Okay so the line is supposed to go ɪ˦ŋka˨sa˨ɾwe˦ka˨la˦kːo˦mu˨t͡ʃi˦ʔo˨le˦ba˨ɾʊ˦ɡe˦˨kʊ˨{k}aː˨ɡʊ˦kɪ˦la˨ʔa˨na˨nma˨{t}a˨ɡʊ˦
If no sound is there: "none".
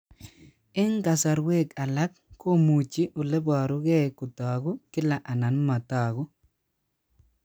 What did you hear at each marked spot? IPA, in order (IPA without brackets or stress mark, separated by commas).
t, t